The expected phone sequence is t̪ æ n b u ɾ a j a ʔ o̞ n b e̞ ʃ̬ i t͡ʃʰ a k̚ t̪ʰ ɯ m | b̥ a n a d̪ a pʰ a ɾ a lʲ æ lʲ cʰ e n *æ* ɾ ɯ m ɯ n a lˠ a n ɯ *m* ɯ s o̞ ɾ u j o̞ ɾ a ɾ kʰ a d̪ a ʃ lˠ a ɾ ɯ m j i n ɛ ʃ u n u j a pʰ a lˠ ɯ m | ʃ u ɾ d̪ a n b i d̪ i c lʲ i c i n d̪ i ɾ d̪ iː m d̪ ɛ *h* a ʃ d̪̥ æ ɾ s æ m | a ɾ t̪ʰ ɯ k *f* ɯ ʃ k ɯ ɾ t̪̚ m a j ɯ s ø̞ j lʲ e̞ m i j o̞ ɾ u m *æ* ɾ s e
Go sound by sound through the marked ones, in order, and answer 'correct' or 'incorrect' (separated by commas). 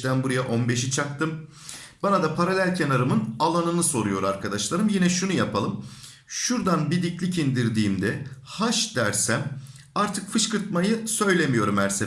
incorrect, incorrect, correct, correct, correct